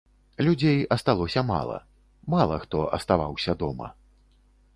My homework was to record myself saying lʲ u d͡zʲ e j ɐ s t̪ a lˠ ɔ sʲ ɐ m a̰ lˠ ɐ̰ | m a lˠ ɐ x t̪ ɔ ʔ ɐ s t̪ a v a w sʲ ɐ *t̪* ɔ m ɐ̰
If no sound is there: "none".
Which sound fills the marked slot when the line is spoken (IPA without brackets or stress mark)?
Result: d̪